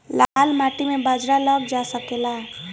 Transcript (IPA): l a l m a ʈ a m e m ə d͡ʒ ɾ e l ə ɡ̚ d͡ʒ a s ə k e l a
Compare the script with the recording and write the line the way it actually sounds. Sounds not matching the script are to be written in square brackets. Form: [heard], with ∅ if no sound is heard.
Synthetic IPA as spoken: l a l m a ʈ [i] m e [b] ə d͡ʒ ɾ [a] l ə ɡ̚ d͡ʒ a s ə k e l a

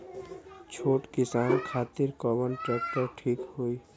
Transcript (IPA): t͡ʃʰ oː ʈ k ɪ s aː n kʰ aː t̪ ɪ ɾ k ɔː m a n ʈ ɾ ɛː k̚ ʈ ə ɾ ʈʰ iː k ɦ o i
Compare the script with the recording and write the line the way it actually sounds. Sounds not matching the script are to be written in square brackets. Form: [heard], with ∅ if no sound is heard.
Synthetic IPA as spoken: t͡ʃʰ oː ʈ k ɪ s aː n kʰ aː t̪ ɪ ɾ k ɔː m [ə] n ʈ ɾ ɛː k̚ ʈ ə ɾ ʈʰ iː k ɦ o i

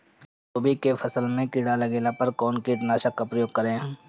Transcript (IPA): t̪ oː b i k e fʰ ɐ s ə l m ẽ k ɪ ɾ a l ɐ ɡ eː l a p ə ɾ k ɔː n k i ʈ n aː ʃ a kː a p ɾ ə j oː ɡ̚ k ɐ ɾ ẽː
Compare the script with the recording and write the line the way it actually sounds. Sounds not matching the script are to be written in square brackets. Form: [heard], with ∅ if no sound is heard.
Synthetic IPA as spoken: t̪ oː b i k e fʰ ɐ s ə l m ẽ k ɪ [ɽ] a l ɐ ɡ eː l a p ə ɾ k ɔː n k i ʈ n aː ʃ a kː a p ɾ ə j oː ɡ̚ k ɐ ɾ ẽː

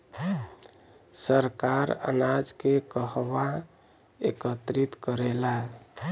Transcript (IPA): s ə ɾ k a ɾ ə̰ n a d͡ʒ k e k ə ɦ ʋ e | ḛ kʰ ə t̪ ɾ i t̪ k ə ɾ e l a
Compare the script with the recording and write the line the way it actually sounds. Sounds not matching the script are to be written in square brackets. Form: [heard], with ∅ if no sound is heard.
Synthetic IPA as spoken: s ə ɾ k a ɾ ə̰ n a d͡ʒ k e k ə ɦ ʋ [a] | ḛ [k] ə t̪ ɾ i t̪ k ə ɾ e l a

